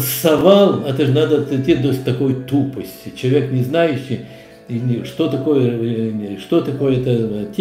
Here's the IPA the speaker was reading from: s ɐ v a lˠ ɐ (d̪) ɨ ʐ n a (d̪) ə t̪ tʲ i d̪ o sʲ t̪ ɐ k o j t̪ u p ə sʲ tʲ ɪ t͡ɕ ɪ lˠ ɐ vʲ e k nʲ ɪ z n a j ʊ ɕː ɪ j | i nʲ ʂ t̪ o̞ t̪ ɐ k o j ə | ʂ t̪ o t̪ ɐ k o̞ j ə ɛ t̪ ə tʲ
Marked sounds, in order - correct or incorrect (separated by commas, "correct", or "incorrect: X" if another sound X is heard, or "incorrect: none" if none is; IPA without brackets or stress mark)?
incorrect: t̪, correct